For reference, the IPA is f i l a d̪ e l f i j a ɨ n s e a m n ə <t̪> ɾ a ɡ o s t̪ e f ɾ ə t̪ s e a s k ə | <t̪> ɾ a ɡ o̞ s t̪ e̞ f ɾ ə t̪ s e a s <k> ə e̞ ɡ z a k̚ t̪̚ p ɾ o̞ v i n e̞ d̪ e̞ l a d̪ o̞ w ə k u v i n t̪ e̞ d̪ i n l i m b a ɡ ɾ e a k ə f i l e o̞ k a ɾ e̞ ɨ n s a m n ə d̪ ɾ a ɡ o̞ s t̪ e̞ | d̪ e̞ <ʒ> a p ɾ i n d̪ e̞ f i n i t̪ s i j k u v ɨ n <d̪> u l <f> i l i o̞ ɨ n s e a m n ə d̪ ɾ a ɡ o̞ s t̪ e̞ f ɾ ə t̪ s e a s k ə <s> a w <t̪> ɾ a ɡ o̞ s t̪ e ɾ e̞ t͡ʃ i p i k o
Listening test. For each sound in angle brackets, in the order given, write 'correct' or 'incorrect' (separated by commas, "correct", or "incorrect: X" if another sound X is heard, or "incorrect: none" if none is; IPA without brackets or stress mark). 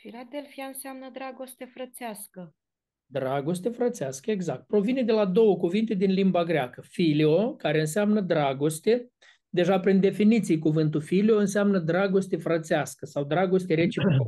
incorrect: d̪, incorrect: d̪, correct, correct, incorrect: t̪, correct, correct, incorrect: d̪